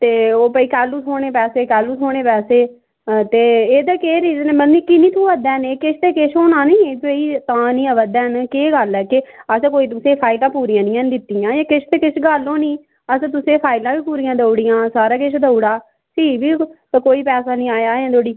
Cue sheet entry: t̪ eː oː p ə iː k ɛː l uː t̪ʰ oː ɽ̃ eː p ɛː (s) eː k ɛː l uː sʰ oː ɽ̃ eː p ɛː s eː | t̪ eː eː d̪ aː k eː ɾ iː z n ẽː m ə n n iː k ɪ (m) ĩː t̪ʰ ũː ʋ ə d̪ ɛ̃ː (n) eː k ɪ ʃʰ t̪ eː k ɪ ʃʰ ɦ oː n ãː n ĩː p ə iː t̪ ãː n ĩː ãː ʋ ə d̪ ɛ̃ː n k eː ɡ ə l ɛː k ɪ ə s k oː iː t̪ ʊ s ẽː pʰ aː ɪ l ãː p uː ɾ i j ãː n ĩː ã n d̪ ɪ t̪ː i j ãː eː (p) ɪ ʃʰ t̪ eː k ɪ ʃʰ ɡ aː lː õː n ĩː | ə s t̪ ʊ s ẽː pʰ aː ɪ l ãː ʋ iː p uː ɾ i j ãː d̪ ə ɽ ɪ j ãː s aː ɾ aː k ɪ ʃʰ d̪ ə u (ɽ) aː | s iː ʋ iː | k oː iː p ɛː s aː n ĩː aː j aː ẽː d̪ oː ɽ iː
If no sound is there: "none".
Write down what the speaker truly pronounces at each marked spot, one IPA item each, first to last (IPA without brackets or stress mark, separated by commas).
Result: s, n, n, k, ɽ